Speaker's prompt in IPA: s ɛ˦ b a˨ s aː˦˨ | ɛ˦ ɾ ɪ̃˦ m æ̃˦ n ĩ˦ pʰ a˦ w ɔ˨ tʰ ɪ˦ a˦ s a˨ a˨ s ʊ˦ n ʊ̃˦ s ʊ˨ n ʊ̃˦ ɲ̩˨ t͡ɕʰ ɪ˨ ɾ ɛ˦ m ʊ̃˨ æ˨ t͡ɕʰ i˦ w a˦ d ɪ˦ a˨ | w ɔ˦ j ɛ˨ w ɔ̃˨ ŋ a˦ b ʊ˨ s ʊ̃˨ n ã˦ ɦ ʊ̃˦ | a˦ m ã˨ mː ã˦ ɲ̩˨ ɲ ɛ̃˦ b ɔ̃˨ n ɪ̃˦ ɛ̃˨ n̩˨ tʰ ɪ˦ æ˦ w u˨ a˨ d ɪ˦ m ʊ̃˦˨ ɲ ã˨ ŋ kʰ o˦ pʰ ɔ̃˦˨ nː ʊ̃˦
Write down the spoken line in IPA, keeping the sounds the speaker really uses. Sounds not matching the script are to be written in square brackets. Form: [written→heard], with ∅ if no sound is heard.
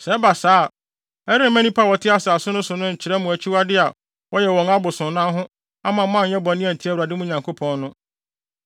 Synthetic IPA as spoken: s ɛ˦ b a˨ s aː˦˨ | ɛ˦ ɾ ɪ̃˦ m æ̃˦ n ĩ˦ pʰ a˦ w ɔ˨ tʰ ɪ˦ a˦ s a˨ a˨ s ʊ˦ n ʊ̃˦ s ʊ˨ n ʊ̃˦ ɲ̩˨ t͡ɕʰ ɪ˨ ɾ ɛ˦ m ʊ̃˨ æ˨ t͡ɕʰ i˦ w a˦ d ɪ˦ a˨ | w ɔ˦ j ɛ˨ w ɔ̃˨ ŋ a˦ b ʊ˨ s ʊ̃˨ n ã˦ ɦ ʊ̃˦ | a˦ m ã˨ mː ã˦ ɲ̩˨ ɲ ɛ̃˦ b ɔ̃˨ n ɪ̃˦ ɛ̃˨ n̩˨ tʰ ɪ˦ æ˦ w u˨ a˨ d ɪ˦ m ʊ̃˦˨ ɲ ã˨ ŋ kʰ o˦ pʰ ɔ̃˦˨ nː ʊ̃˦